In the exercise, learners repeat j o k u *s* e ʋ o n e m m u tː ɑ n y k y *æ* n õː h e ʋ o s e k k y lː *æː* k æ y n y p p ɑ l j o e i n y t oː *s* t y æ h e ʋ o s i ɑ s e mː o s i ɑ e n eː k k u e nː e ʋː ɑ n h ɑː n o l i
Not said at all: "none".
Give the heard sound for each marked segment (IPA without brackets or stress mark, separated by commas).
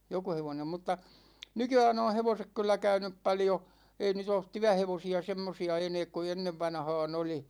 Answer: h, æː, æ, t